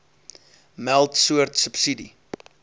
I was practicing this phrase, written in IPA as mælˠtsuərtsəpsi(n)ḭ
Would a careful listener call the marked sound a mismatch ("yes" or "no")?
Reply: yes